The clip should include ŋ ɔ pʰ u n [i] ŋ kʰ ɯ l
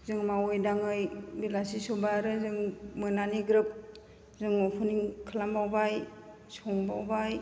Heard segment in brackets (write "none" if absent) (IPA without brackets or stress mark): i